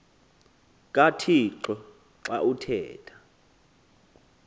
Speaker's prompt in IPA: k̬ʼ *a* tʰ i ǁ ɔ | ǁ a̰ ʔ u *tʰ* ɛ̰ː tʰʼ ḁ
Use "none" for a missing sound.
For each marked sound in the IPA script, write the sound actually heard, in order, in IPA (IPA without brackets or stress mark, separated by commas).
a, tʰ